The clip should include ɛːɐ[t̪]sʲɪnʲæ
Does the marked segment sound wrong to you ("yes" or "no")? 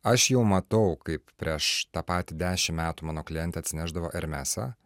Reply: no